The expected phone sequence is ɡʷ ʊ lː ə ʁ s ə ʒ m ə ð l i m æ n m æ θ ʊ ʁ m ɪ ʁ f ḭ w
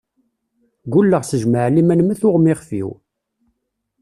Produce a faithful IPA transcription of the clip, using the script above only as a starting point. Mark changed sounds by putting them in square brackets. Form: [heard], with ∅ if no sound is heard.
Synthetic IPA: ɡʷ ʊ lː ə ʁ s ə ʒ m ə [ʕ] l i m æ n m æ θ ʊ ʁ m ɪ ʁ f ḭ w

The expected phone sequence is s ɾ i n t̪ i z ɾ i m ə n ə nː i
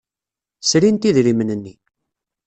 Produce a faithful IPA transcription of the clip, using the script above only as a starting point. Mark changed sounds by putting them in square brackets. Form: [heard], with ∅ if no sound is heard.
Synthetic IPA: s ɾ i n t̪ i [ð] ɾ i m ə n ə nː i

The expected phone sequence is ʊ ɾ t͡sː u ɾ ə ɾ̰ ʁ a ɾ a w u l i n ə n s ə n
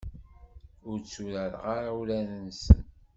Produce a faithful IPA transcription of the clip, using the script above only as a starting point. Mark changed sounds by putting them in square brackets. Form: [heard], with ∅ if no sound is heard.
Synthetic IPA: ʊ ɾ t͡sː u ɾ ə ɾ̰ ʁ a ɾ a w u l [æ] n ə n s ə n

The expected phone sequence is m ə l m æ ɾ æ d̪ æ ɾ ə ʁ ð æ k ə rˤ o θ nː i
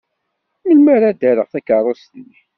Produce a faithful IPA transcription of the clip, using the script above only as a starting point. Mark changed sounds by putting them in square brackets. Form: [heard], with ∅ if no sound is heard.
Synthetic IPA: m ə l m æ ɾ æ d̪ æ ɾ ə ʁ [θ] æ k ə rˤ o [s] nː i

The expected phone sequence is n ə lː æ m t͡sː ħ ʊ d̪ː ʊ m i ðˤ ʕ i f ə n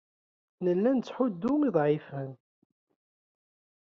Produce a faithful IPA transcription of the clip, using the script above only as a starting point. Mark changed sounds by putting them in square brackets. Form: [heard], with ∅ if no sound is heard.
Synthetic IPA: n ə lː æ [n] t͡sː ħ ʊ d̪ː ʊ m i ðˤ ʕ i f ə n

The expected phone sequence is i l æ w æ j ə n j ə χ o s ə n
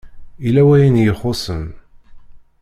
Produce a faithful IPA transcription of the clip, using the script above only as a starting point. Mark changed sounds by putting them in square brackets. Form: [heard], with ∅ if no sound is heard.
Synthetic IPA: i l æ w æ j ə n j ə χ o s ə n

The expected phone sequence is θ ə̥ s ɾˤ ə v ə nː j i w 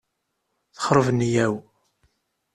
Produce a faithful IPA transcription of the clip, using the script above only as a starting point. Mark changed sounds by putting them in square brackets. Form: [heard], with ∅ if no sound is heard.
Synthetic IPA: θ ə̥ [χ] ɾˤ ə v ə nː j [æ] w

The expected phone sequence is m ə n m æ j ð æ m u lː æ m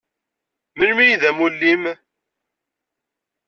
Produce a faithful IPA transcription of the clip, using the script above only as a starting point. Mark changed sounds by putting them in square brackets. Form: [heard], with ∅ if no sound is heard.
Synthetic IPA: m ə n m [i] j ð æ m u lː [i] m

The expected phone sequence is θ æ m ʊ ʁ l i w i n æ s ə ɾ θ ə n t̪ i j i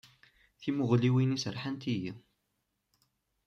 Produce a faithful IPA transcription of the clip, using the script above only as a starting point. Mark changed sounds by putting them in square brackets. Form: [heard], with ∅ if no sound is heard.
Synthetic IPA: θ [i] m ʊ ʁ l i w i n [i] s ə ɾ [ħ] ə n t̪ i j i

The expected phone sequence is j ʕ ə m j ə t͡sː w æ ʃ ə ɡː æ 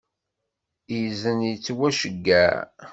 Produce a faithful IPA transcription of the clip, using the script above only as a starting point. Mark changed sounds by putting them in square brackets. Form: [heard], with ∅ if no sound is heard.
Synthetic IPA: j [z] ə [n] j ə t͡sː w æ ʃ ə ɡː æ

